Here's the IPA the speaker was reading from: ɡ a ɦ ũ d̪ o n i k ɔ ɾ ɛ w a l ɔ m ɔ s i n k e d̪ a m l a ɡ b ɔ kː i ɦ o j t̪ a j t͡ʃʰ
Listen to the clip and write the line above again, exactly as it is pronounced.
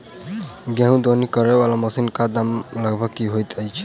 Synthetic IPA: ɡ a ɦ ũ d̪ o n i k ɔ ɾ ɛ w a l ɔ m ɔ s i n k a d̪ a m l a ɡ b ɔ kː i ɦ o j t̪ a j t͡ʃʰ